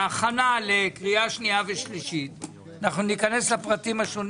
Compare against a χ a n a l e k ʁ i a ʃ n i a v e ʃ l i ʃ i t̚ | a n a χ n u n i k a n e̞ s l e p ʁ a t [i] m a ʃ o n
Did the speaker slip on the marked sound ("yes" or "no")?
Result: no